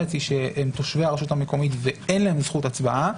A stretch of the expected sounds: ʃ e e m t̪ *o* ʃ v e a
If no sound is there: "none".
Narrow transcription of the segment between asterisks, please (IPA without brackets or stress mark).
o